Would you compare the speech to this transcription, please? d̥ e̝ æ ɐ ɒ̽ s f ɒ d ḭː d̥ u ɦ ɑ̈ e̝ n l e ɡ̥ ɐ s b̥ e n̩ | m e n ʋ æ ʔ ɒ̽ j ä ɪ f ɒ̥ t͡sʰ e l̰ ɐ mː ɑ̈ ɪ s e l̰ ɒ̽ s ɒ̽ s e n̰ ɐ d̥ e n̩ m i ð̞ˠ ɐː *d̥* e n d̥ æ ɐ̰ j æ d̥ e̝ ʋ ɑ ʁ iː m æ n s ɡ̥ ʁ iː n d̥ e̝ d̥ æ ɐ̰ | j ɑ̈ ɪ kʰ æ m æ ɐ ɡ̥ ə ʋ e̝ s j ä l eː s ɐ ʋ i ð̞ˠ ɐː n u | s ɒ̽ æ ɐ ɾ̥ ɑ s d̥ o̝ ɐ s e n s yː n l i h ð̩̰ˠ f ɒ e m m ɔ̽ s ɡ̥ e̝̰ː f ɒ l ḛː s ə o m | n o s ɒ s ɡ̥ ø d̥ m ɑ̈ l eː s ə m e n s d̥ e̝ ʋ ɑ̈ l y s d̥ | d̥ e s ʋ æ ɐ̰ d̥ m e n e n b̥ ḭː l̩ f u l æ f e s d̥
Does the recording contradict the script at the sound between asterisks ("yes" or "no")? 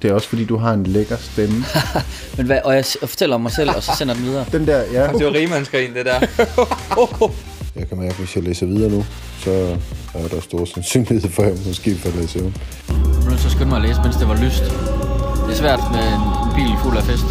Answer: no